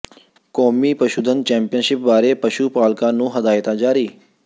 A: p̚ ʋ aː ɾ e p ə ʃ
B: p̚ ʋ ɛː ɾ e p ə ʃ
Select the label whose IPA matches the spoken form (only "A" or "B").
A